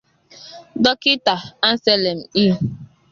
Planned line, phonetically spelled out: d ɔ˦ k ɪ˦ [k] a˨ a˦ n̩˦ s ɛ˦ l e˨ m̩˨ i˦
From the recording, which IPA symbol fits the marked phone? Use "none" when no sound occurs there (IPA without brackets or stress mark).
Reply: t